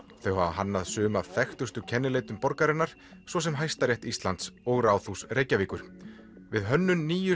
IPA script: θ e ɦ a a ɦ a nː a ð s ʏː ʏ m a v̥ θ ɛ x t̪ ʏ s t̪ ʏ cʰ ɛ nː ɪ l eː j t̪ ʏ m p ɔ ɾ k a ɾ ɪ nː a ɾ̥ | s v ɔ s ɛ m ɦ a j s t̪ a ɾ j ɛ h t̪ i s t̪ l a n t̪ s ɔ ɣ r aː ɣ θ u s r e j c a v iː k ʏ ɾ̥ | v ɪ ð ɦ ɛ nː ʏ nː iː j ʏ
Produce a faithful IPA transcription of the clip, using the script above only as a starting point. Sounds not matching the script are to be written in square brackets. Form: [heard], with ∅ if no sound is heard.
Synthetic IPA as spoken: θ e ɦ a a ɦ a nː a ð s ʏː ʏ m a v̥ θ ɛ x t̪ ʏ s t̪ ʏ cʰ ɛ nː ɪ l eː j t̪ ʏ m p ɔ ɾ k a ɾ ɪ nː a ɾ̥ | s v ɔ s ɛ m ɦ a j s t̪ a ɾ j ɛ h t̪ i s t̪ l a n t̪ s ɔ ɣ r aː [w] θ u s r e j c a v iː k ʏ ɾ̥ | v ɪ ð ɦ [œ] nː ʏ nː iː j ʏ